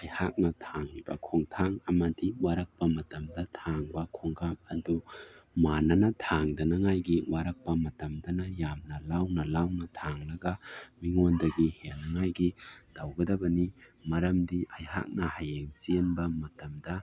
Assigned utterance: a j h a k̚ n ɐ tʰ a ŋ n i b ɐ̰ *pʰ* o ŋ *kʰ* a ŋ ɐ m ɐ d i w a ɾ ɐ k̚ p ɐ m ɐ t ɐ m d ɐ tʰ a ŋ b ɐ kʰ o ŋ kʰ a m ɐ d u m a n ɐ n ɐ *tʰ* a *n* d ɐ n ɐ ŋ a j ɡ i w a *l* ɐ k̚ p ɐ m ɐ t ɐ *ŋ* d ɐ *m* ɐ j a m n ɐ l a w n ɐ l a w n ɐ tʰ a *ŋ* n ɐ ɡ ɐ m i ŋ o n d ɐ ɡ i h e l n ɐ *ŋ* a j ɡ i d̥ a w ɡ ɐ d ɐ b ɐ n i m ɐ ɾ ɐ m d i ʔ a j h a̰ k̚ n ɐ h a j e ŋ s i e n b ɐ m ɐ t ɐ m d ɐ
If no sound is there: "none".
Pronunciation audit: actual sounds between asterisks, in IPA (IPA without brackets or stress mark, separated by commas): kʰ, tʰ, tʰ, ŋ, ɾ, m, n, ŋ, ŋ